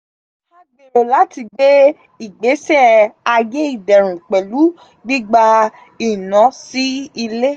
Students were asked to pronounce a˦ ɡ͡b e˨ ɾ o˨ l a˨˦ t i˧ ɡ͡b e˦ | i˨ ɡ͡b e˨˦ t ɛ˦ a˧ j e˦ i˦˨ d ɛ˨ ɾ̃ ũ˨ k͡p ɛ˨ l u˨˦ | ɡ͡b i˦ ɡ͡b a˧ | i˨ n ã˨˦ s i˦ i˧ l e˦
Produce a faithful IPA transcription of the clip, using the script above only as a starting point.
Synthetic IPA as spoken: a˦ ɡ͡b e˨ ɾ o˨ l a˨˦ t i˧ ɡ͡b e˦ | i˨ ɡ͡b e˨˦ s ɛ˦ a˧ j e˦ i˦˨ d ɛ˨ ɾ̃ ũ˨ k͡p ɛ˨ l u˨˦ | ɡ͡b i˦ ɡ͡b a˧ | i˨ n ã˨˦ s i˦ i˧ l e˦

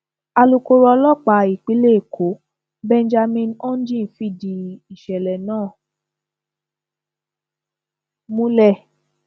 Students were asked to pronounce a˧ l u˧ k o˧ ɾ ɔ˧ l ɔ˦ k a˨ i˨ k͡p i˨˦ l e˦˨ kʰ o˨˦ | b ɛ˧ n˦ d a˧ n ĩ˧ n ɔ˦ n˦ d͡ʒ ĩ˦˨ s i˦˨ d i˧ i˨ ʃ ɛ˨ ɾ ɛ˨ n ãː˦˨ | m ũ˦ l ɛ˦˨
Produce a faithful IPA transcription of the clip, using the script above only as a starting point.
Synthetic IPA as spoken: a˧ l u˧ k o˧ ɾ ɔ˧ l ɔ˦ k͡p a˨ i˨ k͡p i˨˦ l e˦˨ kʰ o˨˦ | b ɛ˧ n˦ d͡ʒ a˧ m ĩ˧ n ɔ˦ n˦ d͡ʒ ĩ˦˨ f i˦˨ d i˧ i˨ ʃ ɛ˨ l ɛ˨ n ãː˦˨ | m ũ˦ l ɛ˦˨

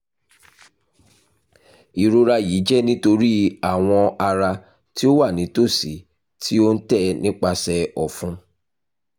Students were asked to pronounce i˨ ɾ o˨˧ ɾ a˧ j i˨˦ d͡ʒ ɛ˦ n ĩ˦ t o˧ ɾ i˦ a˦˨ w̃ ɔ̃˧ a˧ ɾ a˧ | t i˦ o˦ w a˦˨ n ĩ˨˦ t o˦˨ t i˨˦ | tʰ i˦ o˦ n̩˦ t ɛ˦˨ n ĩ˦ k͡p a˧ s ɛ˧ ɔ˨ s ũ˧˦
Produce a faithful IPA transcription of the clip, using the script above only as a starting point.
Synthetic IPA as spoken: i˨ ɾ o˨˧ ɾ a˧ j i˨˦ d͡ʒ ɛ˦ n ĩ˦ t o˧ ɾ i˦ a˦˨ w̃ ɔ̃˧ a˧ ɾ a˧ | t i˦ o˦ w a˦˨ n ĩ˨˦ t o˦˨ s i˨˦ | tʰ i˦ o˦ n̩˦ t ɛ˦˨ n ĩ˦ k͡p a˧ s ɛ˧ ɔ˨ f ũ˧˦

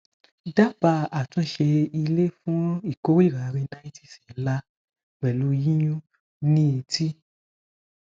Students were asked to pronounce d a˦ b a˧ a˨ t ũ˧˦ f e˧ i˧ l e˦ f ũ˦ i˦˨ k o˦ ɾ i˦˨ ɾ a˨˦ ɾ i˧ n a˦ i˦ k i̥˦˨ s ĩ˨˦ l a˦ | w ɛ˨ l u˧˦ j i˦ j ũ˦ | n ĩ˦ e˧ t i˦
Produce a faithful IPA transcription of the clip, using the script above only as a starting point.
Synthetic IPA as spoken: d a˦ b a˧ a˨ t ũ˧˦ ʃ e˧ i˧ l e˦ f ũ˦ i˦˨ k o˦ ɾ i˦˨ ɾ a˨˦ ɾ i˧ n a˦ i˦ t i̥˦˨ s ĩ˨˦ l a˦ | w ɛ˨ l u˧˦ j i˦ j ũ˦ | n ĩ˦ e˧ t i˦

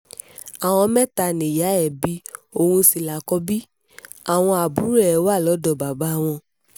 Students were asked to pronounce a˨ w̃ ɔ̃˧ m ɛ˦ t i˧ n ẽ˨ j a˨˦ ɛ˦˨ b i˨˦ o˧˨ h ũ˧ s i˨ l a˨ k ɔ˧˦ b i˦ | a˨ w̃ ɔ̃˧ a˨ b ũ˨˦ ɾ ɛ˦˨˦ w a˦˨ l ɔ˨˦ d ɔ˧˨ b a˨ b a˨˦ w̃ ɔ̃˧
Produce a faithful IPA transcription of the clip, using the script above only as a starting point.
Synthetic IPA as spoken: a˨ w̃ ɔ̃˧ m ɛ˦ t a˧ n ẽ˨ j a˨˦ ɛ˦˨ b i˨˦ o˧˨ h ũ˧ s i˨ l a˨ k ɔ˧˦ b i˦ | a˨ w̃ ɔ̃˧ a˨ b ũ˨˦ ɾ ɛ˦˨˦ w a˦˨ l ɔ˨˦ d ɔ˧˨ b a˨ b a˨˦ w̃ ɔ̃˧

